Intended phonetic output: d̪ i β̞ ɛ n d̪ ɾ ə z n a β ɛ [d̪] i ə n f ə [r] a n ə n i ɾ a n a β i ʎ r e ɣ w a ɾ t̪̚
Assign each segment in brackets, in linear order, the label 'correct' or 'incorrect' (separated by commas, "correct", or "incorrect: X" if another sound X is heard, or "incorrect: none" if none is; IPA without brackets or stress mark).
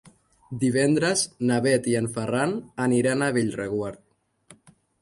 incorrect: t̪, correct